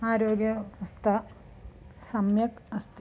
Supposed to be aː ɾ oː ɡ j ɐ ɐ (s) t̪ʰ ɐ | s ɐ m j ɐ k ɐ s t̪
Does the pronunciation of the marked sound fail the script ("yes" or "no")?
no